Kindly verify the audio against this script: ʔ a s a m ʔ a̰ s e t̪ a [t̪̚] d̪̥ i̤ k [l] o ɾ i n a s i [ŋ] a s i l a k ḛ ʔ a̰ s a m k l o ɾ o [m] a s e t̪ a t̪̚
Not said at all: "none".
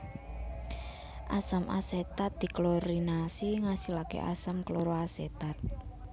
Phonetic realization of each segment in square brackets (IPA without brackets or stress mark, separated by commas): t̪̚, l, ŋ, none